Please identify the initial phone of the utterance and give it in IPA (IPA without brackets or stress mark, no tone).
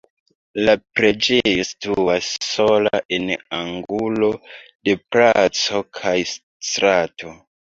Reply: l